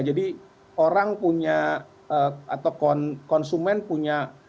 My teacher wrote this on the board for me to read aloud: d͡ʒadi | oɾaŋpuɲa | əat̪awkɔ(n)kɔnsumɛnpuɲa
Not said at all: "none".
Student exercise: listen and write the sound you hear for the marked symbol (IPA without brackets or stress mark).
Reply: n